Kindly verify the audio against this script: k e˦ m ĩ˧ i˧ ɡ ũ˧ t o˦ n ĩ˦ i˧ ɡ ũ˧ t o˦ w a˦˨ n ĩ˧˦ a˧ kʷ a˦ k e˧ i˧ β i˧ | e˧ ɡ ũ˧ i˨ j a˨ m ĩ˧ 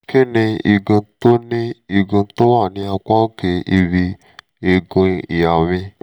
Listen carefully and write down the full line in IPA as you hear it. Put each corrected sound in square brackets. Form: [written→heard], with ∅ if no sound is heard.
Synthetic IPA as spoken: k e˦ [m→n] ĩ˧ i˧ ɡ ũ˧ t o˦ n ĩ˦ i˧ ɡ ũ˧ t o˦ w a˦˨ n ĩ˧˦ a˧ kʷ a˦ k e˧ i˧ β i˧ | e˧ ɡ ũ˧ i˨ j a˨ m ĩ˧